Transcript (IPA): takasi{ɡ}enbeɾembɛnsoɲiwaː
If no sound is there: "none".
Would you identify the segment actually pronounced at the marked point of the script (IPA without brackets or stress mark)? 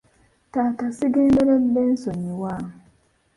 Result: ɡ